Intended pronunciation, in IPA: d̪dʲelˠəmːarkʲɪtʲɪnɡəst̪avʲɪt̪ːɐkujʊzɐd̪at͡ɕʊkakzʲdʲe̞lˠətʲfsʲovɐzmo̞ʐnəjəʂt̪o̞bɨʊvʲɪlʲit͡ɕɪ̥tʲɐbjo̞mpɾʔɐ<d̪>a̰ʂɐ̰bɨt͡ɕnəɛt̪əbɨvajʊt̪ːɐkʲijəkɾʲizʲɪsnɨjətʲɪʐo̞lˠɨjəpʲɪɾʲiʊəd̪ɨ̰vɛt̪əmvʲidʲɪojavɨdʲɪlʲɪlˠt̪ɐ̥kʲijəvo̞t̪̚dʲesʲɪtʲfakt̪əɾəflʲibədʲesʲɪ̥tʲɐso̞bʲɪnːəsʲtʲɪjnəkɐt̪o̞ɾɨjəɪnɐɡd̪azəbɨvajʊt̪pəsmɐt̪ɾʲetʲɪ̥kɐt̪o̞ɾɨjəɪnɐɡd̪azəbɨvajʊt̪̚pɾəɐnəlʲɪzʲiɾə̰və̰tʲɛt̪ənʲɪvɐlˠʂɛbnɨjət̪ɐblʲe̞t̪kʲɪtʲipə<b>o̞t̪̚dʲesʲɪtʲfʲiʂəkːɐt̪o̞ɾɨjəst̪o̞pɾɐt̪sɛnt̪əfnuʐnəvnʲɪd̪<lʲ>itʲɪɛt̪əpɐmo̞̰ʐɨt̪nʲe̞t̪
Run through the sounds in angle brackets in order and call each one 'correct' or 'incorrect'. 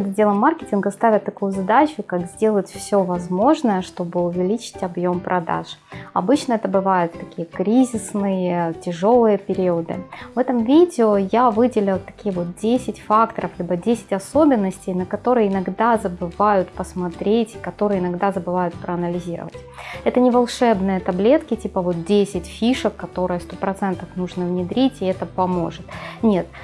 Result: correct, incorrect, incorrect

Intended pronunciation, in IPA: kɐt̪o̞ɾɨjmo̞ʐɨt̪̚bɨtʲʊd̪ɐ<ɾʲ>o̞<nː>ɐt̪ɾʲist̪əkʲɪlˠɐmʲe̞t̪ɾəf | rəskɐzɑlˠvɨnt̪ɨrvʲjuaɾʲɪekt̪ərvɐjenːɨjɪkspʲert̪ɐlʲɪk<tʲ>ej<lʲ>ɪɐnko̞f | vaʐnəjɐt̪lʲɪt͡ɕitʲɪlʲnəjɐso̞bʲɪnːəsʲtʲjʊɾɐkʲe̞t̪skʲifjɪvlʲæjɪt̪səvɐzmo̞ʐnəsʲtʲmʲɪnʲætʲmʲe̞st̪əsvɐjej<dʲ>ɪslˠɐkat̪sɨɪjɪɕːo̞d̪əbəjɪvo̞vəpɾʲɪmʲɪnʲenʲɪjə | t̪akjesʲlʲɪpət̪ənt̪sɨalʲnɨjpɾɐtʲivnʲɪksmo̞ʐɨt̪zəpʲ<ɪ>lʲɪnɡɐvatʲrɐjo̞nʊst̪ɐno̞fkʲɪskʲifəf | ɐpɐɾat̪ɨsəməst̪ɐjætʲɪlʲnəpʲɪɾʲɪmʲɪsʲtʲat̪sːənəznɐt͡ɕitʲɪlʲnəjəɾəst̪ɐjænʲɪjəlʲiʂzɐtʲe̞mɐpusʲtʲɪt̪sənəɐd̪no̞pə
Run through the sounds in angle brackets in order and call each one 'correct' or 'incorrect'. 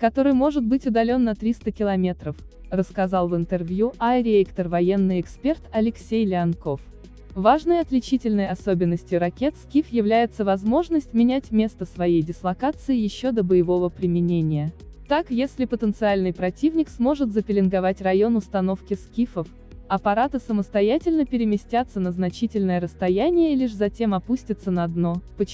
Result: incorrect, correct, incorrect, correct, correct, correct

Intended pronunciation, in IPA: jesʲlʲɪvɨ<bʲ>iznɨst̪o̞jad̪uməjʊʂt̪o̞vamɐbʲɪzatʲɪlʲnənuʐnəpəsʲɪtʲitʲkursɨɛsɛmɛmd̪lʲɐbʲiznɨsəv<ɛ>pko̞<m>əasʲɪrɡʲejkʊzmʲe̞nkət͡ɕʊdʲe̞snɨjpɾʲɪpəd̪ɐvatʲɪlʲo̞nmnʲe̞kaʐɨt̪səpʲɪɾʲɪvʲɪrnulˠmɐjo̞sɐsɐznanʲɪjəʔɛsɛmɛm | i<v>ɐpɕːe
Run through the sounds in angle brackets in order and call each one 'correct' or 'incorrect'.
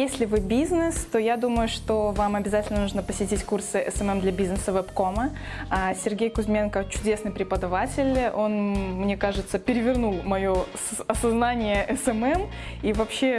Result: correct, correct, correct, correct

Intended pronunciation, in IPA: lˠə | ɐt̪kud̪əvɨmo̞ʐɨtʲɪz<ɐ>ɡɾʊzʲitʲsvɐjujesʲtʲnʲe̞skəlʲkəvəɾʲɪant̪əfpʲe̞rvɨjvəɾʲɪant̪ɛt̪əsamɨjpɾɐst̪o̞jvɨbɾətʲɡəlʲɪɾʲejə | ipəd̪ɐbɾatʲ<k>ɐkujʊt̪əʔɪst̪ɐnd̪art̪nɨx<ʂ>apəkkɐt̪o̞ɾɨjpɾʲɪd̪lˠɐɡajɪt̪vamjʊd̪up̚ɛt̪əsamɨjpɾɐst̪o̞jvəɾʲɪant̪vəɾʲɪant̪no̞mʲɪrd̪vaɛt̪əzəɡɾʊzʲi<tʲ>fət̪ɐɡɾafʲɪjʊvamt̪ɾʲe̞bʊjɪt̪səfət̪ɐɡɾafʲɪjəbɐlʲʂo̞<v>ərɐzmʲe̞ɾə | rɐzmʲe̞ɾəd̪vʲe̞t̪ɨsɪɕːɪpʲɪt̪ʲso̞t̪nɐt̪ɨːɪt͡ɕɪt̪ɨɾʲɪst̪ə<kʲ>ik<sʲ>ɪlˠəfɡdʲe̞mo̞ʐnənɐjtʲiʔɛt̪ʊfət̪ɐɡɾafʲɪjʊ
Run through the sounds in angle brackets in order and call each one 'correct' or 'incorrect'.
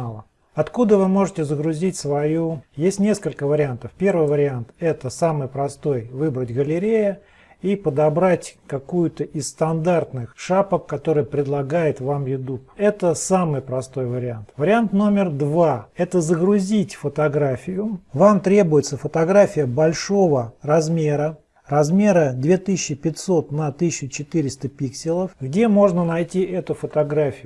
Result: incorrect, correct, correct, correct, correct, incorrect, correct

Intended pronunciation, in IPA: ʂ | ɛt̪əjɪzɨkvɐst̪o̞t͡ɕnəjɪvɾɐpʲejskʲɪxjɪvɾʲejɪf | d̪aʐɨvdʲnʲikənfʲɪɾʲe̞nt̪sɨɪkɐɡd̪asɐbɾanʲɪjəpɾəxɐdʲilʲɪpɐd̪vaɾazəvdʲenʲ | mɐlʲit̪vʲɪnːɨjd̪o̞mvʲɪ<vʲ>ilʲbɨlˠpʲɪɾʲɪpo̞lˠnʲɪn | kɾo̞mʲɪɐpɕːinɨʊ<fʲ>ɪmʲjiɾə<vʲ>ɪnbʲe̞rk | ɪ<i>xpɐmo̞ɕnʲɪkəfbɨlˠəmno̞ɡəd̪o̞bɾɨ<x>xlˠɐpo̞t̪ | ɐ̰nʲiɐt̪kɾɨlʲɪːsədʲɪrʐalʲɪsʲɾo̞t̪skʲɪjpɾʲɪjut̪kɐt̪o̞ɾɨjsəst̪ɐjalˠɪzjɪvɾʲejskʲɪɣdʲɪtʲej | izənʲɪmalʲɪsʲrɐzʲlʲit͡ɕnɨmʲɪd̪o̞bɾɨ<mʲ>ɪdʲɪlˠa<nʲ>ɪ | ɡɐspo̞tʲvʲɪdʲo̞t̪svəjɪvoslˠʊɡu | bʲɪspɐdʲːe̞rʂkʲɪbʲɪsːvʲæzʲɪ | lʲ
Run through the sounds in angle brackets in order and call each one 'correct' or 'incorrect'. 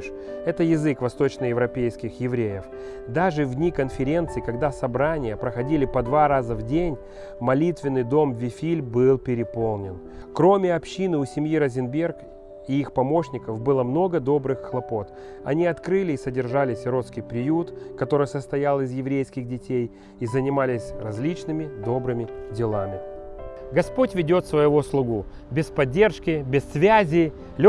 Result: incorrect, incorrect, incorrect, correct, correct, correct, incorrect

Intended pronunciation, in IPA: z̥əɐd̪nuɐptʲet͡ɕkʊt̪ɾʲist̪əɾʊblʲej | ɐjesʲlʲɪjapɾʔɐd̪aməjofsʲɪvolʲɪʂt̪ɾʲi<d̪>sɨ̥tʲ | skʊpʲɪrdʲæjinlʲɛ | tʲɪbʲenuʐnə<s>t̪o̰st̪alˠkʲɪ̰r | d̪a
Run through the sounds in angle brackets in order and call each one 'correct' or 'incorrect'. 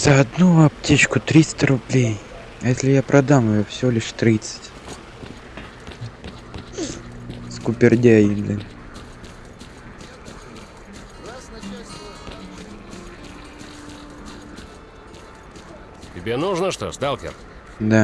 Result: incorrect, incorrect

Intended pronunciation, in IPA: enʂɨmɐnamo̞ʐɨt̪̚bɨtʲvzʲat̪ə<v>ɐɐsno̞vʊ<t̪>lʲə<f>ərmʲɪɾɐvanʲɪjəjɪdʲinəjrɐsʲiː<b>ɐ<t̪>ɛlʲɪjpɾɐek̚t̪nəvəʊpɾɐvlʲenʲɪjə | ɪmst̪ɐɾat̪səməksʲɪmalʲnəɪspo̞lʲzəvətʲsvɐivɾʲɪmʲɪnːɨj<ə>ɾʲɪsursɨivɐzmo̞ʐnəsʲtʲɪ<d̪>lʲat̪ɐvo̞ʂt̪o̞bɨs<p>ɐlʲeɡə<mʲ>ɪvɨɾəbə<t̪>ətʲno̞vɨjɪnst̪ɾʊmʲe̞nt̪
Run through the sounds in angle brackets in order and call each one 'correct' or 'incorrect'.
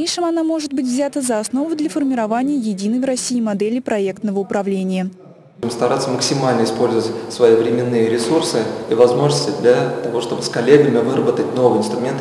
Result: incorrect, incorrect, correct, incorrect, incorrect, correct, correct, incorrect, correct, correct

